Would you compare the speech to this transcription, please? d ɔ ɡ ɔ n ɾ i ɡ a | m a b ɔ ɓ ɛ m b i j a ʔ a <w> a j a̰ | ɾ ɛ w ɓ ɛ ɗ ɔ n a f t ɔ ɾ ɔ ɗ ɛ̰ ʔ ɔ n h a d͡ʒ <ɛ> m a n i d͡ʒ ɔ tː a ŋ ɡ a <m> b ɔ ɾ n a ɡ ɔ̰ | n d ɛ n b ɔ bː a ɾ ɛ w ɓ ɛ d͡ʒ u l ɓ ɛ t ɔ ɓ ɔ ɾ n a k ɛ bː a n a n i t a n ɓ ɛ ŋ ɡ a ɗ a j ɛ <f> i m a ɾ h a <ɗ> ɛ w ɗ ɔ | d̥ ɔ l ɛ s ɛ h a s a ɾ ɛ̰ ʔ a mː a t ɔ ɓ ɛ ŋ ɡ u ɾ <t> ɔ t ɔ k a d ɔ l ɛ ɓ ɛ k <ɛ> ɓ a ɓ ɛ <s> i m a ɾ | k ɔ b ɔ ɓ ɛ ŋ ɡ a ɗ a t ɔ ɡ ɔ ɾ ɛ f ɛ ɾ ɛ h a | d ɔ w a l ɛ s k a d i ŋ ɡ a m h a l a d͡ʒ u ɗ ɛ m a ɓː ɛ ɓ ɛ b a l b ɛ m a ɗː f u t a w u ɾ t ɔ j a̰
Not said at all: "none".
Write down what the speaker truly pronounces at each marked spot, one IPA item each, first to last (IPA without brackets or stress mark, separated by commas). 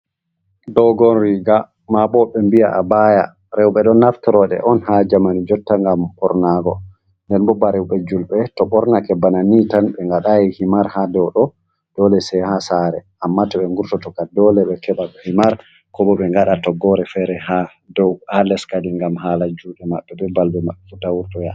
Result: b, a, m, h, d, t, ɛ, h